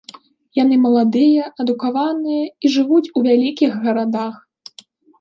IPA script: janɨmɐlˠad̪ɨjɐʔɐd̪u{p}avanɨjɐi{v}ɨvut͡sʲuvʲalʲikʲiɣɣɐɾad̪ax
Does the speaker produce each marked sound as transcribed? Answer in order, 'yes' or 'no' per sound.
no, no

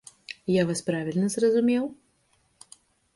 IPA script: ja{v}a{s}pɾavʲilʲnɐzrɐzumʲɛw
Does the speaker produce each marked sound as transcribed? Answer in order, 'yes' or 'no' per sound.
yes, yes

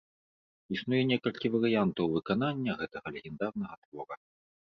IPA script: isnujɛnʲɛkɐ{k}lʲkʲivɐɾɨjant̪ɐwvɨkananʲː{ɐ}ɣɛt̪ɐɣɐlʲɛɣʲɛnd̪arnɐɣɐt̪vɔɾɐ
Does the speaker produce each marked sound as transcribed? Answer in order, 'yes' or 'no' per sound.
no, yes

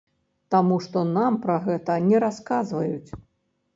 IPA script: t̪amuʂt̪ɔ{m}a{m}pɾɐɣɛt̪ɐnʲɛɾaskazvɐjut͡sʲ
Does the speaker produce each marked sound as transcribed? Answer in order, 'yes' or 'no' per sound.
no, yes

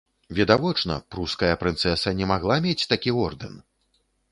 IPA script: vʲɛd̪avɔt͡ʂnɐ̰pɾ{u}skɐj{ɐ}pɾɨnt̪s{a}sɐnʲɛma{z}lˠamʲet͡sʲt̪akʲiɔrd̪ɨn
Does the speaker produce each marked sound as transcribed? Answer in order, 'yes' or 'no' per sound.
yes, yes, no, no

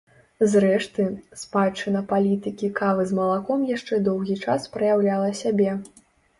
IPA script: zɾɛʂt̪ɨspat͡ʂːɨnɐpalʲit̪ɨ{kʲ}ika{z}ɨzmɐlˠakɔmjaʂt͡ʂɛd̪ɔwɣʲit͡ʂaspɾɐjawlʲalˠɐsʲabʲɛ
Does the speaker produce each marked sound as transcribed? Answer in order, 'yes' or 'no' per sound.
yes, no

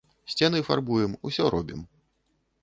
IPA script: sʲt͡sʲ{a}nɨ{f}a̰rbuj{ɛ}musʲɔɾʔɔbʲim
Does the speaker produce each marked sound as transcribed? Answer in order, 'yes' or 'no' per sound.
no, yes, yes

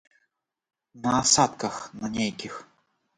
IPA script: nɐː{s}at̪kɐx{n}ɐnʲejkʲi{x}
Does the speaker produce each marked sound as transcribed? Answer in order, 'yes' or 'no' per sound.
yes, yes, yes

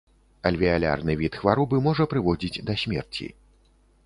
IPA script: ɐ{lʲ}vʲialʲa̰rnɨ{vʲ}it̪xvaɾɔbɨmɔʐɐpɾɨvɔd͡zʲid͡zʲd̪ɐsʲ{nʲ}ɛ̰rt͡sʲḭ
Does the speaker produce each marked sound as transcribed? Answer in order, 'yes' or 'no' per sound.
yes, yes, no

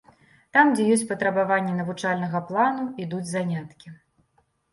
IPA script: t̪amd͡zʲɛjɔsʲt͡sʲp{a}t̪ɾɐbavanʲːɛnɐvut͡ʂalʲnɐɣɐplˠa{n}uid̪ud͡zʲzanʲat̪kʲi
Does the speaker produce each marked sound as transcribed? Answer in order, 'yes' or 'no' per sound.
no, yes

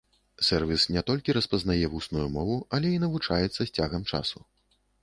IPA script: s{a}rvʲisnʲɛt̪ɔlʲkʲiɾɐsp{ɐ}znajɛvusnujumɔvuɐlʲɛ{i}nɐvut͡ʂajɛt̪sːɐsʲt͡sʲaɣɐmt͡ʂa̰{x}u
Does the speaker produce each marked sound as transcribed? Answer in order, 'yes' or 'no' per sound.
no, yes, yes, no

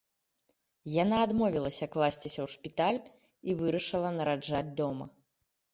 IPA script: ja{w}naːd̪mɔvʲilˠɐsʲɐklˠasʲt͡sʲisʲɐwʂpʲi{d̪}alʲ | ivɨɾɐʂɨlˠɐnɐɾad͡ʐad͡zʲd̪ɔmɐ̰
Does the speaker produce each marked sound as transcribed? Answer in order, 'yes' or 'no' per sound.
no, no

